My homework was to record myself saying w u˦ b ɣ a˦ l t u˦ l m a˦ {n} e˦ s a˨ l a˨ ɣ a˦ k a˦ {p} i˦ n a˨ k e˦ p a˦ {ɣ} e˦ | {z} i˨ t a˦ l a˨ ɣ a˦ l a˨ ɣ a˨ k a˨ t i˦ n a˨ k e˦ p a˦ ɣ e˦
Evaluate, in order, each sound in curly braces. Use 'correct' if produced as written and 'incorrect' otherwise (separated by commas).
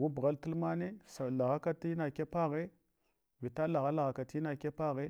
correct, incorrect, correct, incorrect